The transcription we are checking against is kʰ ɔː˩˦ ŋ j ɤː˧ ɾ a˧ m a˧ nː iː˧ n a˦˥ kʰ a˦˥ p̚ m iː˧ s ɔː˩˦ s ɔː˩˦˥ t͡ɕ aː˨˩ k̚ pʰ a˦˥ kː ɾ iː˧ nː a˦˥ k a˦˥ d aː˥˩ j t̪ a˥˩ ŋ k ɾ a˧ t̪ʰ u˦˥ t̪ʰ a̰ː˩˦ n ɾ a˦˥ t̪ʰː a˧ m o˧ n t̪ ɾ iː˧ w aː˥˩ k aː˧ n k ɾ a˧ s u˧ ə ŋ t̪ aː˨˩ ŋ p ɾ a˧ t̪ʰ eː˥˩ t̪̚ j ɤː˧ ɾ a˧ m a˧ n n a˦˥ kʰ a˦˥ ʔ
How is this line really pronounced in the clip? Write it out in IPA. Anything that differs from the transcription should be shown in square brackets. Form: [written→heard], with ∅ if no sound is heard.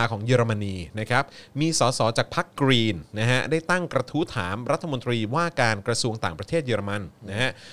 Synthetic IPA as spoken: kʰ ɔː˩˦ ŋ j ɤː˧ ɾ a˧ m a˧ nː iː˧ n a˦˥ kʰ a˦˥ p̚ m iː˧ s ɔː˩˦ s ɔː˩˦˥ t͡ɕ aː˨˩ k̚ pʰ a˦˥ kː ɾ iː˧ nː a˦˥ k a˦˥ d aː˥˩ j t̪ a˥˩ ŋ k ɾ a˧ t̪ʰ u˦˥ t̪ʰ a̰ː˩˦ [n→m] ɾ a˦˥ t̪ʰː a˧ m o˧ n t̪ ɾ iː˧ w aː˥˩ k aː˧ n k ɾ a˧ s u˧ ə ŋ t̪ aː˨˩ ŋ p ɾ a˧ t̪ʰ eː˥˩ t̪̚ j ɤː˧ ɾ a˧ m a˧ n n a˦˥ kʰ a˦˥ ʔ